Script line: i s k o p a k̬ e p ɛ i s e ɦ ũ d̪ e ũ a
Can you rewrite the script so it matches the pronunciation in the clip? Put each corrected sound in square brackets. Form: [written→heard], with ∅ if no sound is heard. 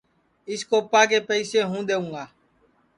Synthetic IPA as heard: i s k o p a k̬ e p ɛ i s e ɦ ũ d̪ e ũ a